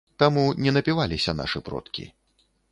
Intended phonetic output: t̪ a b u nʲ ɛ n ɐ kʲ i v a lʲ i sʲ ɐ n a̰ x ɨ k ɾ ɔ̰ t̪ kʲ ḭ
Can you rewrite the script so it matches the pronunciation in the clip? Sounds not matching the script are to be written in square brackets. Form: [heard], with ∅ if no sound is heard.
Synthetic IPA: t̪ a [m] u nʲ ɛ n ɐ [pʲ] i v a lʲ i sʲ ɐ n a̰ [ʂ] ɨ [p] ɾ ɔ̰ t̪ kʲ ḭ